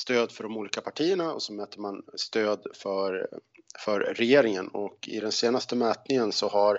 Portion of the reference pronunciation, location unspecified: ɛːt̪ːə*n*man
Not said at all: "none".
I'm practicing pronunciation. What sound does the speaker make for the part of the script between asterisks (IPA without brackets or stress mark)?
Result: none